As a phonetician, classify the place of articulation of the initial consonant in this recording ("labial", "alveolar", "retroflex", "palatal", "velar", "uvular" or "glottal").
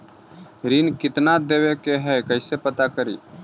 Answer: alveolar